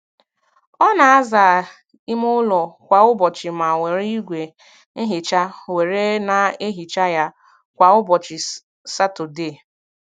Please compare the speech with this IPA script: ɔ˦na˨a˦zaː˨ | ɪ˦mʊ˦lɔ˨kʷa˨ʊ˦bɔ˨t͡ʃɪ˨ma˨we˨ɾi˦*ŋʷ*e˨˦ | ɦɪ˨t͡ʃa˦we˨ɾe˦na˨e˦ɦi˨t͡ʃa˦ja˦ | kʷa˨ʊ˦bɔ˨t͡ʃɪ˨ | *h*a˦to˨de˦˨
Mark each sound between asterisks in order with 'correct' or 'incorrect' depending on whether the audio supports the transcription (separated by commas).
incorrect, incorrect